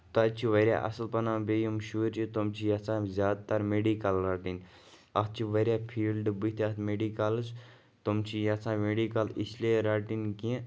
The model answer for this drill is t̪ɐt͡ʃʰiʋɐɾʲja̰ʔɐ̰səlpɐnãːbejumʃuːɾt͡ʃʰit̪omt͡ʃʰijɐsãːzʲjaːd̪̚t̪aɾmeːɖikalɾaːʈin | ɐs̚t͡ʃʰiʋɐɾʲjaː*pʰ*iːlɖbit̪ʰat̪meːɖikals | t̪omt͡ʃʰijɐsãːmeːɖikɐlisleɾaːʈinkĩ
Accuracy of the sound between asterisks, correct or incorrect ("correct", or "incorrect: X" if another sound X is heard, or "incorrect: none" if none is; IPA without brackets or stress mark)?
correct